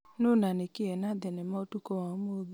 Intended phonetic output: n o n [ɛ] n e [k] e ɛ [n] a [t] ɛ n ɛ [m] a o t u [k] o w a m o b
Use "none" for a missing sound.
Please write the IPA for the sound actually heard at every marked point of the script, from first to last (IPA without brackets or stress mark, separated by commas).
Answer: a, k, n, d, m, k